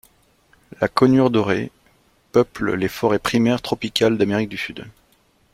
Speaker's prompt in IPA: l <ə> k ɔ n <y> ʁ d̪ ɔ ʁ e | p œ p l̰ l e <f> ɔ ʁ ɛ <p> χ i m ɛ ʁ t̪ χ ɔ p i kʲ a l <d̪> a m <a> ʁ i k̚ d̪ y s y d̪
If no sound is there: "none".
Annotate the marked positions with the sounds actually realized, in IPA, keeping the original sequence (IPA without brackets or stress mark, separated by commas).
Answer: a, y, f, p, d̪, e